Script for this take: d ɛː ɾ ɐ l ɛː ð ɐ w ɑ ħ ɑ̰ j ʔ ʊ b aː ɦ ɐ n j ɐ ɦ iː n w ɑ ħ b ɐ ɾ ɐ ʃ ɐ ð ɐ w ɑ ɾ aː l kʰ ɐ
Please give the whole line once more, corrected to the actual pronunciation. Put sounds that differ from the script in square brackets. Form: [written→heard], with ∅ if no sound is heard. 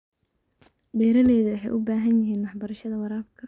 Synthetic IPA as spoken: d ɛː ɾ ɐ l ɛː ð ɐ w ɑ ħ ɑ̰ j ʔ ʊ b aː ɦ ɐ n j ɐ ɦ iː n w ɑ ħ b ɐ ɾ ɐ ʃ ɐ ð ɐ w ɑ ɾ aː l kʰ ɐ